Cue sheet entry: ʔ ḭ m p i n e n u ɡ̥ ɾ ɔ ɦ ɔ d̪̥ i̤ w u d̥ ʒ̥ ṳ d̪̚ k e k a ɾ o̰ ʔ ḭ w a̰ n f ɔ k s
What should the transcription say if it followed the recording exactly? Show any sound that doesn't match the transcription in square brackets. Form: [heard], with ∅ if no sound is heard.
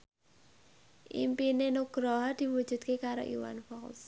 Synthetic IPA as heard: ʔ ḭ m p i n e n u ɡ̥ ɾ ɔ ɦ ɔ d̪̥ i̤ w u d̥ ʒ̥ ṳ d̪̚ k e k a ɾ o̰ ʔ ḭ w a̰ n f ɔ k s